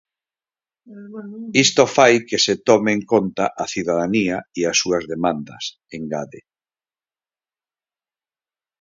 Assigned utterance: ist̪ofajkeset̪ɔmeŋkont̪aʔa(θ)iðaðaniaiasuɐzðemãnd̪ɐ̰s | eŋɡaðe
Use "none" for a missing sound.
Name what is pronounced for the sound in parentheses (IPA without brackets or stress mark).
θ